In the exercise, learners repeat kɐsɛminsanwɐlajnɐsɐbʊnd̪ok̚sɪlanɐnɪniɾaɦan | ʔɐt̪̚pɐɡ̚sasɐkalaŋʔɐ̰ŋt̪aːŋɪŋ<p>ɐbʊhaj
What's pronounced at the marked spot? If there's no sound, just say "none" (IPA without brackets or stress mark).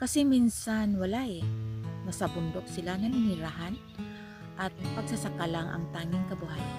k